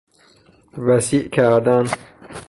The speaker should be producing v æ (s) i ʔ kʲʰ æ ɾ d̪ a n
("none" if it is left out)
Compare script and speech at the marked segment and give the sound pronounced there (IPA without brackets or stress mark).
s